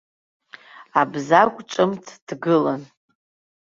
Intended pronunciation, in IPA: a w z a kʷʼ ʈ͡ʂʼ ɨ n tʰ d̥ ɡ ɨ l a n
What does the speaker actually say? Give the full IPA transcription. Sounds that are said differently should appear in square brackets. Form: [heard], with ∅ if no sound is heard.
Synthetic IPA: a [b] z a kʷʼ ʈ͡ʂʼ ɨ [m] tʰ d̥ ɡ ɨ l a n